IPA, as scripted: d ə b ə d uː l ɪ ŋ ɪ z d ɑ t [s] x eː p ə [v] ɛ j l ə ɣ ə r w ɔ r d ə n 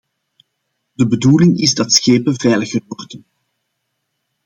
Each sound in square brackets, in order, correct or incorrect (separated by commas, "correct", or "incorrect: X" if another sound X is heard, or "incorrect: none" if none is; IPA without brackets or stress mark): correct, correct